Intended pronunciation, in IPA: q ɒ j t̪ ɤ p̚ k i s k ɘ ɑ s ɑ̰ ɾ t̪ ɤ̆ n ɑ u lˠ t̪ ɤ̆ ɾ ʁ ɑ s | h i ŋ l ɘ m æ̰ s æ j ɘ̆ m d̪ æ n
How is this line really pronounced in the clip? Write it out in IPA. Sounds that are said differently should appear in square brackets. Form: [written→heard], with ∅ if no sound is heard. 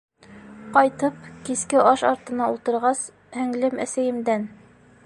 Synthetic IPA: q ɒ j t̪ ɤ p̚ k i s k ɘ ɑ [s→ʃ] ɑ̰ ɾ t̪ ɤ̆ n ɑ u lˠ t̪ ɤ̆ ɾ ʁ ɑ s | h [i→æ] ŋ l ɘ m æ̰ s æ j ɘ̆ m d̪ æ n

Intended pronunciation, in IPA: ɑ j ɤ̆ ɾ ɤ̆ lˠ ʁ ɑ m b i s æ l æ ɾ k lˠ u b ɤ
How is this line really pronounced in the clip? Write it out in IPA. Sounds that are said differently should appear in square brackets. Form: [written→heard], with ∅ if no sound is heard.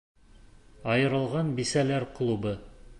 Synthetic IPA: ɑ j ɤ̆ ɾ ɤ̆ lˠ ʁ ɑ [m→n] b i s æ l æ ɾ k lˠ u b ɤ

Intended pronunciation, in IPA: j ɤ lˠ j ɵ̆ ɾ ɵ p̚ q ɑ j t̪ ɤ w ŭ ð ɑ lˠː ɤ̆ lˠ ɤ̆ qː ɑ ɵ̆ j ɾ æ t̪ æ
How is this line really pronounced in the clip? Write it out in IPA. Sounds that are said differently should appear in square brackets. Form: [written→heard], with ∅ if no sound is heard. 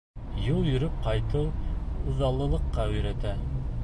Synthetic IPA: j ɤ lˠ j ɵ̆ ɾ ɵ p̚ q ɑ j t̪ ɤ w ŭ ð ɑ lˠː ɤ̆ lˠ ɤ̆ qː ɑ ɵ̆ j ɾ æ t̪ æ

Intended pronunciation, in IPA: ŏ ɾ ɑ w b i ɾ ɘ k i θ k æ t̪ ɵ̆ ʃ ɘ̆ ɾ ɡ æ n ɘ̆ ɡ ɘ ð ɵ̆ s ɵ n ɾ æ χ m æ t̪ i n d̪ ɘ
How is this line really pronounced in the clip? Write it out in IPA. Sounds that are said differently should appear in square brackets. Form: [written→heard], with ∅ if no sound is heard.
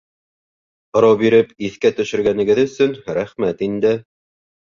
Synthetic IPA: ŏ ɾ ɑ w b i ɾ ɘ [k→p] i θ k æ t̪ ɵ̆ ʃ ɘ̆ ɾ ɡ æ n ɘ̆ ɡ ɘ ð ɵ̆ s ɵ n ɾ æ χ m æ t̪ i n d̪ ɘ

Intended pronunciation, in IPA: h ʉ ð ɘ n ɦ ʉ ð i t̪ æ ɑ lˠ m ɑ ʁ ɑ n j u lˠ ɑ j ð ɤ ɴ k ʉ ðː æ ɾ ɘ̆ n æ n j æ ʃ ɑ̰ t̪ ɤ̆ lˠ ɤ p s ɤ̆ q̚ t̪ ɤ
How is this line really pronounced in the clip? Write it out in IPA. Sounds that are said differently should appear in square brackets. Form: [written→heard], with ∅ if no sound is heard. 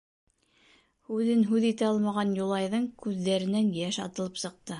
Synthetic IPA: h ʉ ð ɘ n ɦ ʉ ð i t̪ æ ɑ lˠ m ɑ ʁ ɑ n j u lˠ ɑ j ð ɤ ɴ k ʉ ðː æ ɾ ɘ̆ n æ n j æ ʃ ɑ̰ t̪ ɤ̆ lˠ ɤ p s ɤ̆ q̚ t̪ ɤ

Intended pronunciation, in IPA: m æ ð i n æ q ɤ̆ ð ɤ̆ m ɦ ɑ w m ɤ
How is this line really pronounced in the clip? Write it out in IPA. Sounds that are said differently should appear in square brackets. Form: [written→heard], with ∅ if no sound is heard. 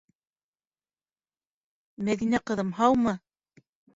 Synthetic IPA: m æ ð i n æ q ɤ̆ ð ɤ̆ m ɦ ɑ w m ɤ

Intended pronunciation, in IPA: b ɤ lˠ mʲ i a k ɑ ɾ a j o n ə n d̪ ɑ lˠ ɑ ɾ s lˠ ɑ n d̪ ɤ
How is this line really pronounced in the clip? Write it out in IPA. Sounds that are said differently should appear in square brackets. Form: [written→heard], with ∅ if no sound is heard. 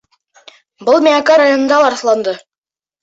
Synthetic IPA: b ɤ lˠ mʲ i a k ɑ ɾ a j o n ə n d̪ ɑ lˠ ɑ ɾ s lˠ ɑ n d̪ ɤ

